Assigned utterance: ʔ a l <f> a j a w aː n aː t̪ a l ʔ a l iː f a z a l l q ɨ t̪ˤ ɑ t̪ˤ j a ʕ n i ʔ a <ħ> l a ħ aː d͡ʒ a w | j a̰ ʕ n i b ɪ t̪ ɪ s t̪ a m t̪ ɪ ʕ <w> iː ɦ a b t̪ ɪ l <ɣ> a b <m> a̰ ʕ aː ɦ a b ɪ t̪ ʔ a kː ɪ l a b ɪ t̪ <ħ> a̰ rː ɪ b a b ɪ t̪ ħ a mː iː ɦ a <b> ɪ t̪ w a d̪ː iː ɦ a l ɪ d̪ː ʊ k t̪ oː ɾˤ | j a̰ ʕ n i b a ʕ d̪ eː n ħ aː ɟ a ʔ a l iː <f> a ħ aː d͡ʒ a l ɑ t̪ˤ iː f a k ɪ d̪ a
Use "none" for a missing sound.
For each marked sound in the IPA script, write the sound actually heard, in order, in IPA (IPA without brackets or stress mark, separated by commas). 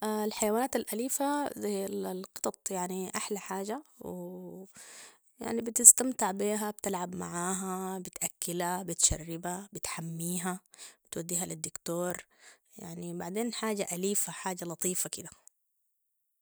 ħ, ħ, b, ʕ, m, ʃ, b, f